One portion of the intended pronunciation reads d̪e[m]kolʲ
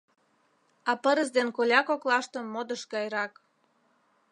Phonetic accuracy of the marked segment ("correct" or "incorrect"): incorrect